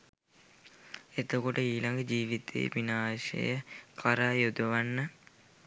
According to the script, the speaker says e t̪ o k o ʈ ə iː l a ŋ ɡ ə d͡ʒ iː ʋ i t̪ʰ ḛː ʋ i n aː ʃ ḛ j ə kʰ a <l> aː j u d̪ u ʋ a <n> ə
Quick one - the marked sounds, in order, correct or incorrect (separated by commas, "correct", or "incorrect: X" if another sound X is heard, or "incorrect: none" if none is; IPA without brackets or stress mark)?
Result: incorrect: ɾ, incorrect: nː